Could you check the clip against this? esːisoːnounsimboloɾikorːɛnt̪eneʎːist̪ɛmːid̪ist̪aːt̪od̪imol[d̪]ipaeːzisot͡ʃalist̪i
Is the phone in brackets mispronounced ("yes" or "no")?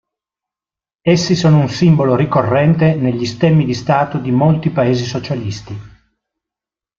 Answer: yes